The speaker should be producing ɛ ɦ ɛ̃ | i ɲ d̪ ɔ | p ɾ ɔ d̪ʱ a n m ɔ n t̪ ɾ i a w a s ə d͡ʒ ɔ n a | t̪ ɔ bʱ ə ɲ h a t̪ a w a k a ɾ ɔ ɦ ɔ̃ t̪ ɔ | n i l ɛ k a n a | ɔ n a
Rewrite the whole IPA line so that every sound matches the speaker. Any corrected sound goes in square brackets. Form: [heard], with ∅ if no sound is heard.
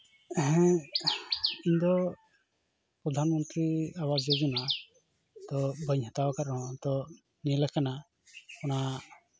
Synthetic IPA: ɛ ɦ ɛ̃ | i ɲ d̪ ɔ | p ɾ ɔ d̪ʱ a n m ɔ n t̪ ɾ i a w a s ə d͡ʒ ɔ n a | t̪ ɔ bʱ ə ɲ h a t̪ a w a k a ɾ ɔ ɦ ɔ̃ t̪ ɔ | n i l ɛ k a n a | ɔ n a